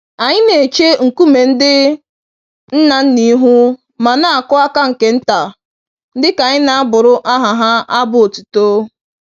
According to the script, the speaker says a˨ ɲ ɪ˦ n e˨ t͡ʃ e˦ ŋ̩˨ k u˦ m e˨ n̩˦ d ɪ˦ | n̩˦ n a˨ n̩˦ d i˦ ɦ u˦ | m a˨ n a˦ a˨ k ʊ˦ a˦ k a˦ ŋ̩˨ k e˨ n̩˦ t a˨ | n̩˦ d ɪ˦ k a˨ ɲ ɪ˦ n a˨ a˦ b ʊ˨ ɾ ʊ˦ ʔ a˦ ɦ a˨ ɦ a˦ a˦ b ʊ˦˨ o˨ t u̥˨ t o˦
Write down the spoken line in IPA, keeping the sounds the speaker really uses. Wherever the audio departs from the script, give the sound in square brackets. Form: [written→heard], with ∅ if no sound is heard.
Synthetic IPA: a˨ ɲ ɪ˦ n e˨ t͡ʃ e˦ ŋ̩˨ k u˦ m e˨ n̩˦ d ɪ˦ | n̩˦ n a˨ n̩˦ [d→n] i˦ ɦ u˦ | m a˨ n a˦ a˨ k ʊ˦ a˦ k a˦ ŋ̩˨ k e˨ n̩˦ t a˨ | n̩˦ d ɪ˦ k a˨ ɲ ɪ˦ n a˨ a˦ b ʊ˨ ɾ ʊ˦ ʔ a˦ ɦ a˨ ɦ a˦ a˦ b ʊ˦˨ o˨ t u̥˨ t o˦